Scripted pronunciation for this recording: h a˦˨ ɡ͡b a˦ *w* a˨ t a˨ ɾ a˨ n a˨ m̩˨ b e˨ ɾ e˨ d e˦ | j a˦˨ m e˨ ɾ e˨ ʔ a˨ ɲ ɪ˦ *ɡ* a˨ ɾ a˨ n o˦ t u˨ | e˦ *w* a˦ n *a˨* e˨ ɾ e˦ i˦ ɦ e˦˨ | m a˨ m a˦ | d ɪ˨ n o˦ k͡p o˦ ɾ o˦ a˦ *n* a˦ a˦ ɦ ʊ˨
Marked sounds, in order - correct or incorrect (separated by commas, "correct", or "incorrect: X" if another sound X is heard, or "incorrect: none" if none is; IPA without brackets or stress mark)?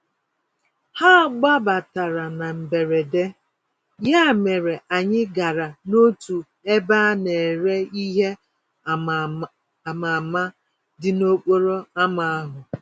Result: incorrect: b, correct, incorrect: b, incorrect: e˨, incorrect: m